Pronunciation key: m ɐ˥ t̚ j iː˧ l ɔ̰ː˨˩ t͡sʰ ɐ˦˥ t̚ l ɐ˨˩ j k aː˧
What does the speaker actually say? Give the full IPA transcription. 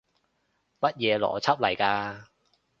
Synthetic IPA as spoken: m ɐ˥ t̚ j ɛː˧ l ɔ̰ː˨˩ t͡sʰ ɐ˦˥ p̚ l ɐ˨˩ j k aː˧

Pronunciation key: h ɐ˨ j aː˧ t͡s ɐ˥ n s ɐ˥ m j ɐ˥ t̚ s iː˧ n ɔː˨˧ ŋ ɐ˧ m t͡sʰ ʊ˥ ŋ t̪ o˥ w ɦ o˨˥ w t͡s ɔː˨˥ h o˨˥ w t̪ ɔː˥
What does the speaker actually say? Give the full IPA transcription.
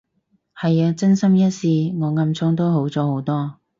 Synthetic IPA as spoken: h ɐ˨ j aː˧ t͡s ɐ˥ n s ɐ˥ m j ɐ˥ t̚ s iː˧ ŋ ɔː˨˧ ŋ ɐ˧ m t͡sʰ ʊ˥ ŋ t̪ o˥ w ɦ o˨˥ w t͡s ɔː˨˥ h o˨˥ w t̪ ɔː˥

